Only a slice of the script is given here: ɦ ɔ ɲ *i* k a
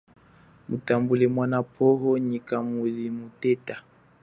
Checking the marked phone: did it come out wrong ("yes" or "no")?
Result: no